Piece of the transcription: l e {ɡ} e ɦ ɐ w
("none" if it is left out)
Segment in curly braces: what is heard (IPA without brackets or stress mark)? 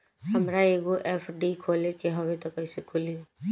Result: k